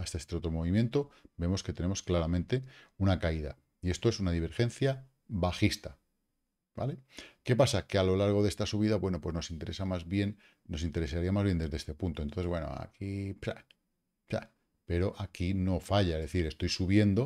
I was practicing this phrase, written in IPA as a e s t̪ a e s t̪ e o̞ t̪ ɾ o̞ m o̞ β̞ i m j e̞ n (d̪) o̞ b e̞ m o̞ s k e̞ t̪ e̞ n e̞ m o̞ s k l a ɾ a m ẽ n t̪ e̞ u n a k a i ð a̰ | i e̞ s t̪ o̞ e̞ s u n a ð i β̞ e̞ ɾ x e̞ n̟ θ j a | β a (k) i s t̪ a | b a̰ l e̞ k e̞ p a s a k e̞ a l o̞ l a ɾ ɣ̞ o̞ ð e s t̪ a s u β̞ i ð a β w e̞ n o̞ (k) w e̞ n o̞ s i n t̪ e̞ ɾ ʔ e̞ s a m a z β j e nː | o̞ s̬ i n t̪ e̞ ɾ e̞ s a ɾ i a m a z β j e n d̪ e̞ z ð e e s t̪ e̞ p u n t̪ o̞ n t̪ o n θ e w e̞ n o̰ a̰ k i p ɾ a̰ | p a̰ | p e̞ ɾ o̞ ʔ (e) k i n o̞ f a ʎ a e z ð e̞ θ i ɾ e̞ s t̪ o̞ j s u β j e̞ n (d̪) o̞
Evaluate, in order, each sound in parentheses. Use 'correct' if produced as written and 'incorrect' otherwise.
incorrect: t̪, incorrect: x, incorrect: p, incorrect: a, correct

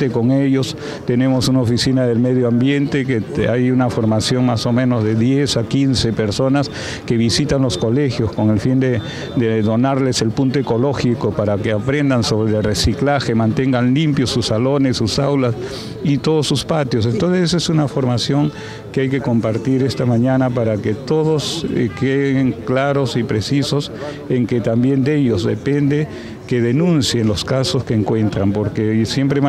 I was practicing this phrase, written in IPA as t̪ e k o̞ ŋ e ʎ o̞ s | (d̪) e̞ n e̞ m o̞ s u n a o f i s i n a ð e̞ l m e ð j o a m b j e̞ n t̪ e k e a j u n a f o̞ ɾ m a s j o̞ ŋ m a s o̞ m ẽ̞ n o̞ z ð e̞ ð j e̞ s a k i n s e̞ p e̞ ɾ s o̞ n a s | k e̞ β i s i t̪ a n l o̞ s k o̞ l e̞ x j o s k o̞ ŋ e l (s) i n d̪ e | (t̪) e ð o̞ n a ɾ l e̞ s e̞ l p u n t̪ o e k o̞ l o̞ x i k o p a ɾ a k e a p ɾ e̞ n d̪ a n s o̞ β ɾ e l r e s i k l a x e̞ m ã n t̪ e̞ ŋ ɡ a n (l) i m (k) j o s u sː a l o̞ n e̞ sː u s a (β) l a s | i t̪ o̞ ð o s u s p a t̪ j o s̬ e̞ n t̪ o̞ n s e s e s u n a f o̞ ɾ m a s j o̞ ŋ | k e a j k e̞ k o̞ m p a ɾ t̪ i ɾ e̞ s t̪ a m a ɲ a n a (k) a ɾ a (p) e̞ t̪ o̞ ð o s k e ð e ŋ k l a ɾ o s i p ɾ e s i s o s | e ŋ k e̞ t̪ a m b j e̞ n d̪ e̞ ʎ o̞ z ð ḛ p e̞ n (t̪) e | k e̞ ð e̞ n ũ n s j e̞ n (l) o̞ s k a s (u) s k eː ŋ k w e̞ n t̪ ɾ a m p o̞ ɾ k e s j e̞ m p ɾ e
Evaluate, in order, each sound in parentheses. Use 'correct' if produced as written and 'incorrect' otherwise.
incorrect: t̪, incorrect: f, incorrect: d̪, correct, incorrect: p, incorrect: w, incorrect: p, incorrect: k, incorrect: d̪, correct, incorrect: o

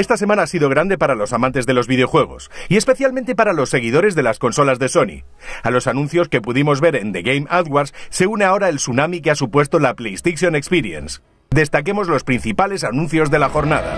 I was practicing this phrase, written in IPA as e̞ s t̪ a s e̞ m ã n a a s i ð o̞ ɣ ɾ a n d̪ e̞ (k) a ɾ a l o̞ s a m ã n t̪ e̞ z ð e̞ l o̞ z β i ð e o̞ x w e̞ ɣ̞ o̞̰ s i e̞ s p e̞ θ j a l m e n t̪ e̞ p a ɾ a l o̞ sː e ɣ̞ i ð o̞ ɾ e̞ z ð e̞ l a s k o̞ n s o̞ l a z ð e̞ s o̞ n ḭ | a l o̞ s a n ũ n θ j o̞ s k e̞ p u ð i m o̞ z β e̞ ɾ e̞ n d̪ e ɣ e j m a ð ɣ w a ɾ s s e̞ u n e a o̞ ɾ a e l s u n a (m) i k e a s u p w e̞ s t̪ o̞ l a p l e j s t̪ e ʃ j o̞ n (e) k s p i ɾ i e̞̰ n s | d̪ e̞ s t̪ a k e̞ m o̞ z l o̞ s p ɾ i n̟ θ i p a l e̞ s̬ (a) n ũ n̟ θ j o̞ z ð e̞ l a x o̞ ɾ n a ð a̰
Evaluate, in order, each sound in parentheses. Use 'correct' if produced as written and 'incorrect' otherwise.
incorrect: p, correct, correct, correct

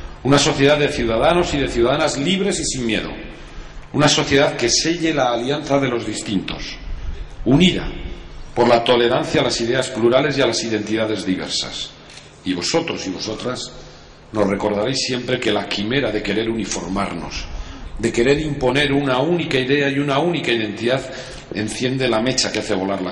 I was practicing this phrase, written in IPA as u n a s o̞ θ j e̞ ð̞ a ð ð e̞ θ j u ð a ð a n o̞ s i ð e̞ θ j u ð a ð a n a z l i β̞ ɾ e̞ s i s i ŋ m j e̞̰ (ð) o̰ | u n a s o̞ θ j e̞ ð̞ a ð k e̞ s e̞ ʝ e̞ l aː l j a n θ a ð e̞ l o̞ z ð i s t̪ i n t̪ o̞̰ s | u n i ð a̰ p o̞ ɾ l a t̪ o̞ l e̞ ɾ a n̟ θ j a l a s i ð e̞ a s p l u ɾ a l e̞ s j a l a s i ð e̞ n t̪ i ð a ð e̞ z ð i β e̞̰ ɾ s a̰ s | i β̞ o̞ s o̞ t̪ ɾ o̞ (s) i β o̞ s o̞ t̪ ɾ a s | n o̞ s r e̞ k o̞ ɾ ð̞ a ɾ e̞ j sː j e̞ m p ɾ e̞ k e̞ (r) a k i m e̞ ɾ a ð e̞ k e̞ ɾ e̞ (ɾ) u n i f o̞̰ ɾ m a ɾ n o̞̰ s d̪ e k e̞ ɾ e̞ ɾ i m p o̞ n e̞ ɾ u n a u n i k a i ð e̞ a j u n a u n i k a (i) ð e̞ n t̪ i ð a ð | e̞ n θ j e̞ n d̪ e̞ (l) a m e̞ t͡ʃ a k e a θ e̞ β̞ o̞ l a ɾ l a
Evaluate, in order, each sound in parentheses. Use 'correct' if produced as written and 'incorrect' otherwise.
correct, correct, incorrect: l, correct, correct, correct

